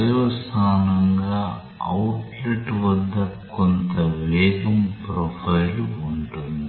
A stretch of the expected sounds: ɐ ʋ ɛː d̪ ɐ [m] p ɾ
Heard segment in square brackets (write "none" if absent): m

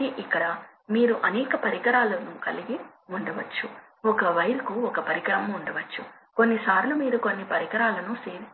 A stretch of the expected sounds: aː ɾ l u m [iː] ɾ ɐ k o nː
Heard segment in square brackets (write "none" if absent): iː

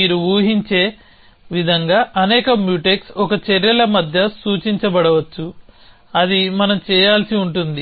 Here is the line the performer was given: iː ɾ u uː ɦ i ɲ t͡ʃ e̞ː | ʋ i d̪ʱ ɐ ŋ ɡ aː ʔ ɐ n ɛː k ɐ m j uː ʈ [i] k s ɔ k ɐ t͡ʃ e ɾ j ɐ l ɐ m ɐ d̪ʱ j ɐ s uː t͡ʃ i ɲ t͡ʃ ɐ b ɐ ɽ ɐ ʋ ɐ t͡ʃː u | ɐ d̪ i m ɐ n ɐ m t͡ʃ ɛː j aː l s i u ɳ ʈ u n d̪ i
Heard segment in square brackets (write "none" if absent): e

